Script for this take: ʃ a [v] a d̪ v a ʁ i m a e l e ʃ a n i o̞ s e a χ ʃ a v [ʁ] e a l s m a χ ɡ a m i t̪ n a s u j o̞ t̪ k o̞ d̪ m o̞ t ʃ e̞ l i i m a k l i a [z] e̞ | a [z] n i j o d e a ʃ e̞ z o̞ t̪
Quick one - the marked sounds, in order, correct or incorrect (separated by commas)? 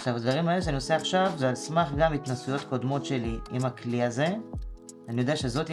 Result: correct, incorrect, correct, incorrect